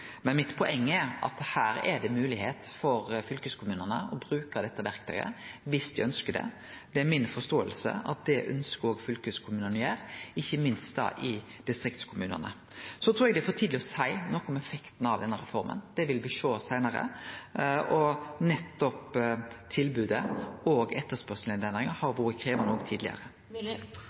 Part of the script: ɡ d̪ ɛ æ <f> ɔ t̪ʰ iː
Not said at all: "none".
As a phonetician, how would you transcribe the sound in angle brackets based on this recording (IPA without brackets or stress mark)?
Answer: f